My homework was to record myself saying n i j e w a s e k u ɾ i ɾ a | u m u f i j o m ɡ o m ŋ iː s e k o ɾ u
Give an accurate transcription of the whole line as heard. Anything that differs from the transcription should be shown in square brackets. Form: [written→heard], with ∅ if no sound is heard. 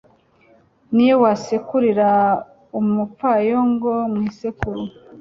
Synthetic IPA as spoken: n i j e w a s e k u ɾ i ɾ a | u m u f [i→a] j o [m→ŋ] ɡ o m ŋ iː s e k [o→u] ɾ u